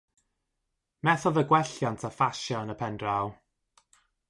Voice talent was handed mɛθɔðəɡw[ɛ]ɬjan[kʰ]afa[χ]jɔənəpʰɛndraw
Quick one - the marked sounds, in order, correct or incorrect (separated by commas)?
correct, incorrect, incorrect